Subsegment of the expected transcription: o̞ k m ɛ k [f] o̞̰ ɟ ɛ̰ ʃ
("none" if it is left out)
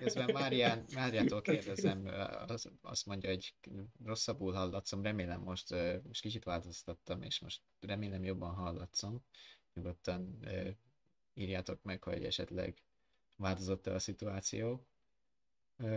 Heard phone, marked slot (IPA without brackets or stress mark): h